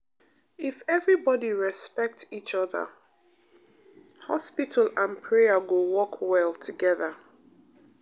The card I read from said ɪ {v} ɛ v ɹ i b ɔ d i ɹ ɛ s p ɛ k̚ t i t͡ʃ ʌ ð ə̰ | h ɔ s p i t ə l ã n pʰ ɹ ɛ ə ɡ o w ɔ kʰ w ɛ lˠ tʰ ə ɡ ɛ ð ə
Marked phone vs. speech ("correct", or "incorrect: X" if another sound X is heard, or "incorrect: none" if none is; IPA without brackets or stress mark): incorrect: f